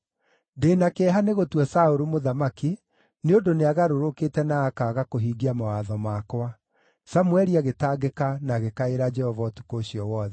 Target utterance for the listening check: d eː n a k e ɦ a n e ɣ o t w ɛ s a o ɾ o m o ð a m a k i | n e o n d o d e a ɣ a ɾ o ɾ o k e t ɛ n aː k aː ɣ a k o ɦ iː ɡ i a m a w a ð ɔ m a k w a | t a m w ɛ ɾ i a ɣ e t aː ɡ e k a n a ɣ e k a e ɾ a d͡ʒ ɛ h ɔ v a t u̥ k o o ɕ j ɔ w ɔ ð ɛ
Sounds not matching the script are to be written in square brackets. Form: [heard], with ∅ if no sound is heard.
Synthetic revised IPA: d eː n a k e ɦ a n e ɣ o t w ɛ s a o ɾ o m o ð a m a k i | n e o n d o [n] e a ɣ a ɾ o ɾ o k e t ɛ n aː k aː ɣ a k o ɦ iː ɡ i a m a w a ð ɔ m a k w a | [s] a m w ɛ ɾ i a ɣ e t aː ɡ e k a n a ɣ e k a e ɾ a d͡ʒ ɛ h ɔ v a t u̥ k o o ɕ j ɔ w ɔ ð ɛ